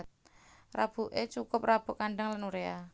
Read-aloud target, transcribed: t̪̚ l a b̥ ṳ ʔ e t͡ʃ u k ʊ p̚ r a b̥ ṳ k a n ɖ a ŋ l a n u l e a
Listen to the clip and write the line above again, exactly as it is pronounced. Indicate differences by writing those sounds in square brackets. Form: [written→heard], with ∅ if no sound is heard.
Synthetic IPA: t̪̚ [l→r] a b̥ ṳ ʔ e t͡ʃ u k ʊ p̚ r a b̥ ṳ k a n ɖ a ŋ l a n u [l→ɾ] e a